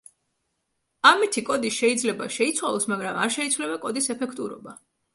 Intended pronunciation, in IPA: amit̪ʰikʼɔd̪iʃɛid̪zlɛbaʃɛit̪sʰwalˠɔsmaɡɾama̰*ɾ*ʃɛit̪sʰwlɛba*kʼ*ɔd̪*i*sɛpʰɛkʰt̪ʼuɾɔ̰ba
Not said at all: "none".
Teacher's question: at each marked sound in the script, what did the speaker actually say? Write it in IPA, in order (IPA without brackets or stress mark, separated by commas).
ɾ, kʼ, i